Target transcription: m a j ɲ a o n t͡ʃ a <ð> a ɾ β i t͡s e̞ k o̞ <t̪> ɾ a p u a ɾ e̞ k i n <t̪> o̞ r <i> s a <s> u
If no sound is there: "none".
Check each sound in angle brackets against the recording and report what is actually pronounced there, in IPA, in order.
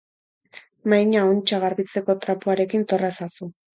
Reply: ɣ, t̪, t̪, a, s

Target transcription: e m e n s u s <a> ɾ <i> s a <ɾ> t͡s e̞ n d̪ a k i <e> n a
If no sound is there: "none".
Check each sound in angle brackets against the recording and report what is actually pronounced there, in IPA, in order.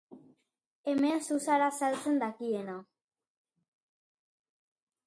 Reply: a, a, l, e

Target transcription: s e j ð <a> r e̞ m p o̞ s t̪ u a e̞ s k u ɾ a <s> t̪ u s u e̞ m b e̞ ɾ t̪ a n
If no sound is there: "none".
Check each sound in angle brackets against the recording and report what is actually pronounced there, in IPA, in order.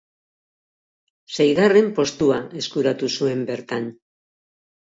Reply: a, none

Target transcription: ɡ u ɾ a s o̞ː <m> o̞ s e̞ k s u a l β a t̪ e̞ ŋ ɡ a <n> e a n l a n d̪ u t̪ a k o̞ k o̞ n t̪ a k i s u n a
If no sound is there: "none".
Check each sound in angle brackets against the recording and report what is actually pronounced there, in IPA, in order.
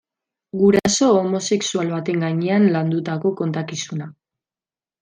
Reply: m, ɲ

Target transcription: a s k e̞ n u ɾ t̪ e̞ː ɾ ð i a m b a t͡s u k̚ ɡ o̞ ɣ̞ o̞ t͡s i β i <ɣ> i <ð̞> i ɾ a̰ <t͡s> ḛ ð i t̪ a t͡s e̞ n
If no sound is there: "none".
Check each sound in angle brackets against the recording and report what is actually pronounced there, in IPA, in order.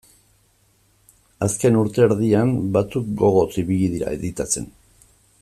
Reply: ɣ, ð̞, none

